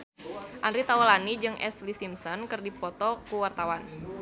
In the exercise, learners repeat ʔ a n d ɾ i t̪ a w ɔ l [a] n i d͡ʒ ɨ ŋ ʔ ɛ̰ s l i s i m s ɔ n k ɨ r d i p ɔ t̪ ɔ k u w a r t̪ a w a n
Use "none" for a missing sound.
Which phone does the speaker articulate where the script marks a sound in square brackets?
a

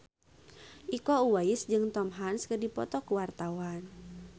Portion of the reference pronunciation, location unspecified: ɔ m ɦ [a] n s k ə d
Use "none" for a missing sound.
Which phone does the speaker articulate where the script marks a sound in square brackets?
a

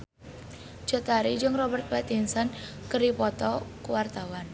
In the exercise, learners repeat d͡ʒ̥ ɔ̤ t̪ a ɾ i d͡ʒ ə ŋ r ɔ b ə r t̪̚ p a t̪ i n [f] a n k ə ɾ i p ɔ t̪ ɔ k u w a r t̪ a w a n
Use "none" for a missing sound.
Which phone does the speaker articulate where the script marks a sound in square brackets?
s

